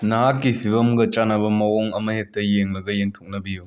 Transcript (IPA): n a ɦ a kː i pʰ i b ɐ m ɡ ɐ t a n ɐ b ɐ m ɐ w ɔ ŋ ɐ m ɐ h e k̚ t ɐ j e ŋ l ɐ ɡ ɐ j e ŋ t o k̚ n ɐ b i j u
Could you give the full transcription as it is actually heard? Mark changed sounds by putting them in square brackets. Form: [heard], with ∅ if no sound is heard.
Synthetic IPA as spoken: n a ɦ a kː i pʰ i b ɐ m ɡ ɐ [t͡ʃ] a n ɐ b ɐ m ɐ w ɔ ŋ ɐ m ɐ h e k̚ t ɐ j e ŋ l ɐ ɡ ɐ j e ŋ [tʰ] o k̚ n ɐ b i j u